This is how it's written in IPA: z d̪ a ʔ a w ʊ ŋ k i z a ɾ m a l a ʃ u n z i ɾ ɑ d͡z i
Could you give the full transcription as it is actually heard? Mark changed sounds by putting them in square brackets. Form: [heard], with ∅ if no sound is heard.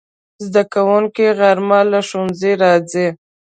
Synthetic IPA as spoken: z d̪ a [k] a w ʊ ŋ k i [ɣ] a ɾ m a l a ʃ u n z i ɾ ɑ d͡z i